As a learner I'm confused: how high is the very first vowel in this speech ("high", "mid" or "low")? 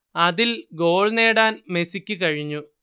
low